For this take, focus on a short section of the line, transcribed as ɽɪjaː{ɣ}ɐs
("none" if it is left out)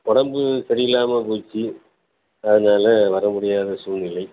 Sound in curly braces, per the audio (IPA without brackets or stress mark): ð